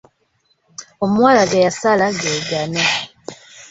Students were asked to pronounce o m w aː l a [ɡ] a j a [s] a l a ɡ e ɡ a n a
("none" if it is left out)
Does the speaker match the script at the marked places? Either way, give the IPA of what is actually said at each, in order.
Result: ɡ, s

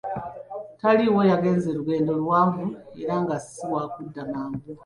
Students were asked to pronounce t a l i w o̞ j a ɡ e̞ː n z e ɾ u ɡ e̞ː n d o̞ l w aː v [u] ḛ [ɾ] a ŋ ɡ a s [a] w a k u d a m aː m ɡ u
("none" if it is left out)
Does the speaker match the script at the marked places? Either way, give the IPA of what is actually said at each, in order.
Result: u, ɾ, i

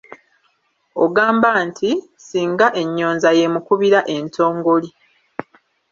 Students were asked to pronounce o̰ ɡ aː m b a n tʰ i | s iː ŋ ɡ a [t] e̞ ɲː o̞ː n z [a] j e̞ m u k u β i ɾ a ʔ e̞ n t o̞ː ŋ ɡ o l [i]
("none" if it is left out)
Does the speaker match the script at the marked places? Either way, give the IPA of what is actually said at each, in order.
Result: ʔ, a, i

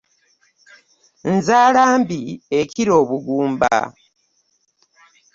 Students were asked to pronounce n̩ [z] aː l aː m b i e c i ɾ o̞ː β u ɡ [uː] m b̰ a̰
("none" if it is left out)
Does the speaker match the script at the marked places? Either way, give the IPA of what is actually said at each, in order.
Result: z, uː

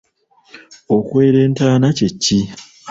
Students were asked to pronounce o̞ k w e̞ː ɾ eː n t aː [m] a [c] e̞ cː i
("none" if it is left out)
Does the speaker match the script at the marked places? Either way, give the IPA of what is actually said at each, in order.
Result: n, c

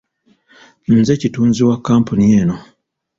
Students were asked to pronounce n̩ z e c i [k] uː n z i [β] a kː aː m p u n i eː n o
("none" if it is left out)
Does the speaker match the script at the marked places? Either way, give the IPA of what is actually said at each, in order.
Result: t, w

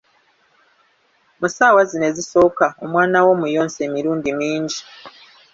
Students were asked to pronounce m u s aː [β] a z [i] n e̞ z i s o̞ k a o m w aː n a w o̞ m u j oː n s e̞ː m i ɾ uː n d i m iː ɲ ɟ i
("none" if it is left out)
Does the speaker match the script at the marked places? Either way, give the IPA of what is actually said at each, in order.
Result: w, i

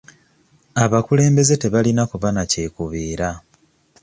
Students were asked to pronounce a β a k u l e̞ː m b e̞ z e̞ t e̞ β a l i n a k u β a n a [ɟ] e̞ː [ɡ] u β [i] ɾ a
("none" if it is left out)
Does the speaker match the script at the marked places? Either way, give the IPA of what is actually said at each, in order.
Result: c, k, iː

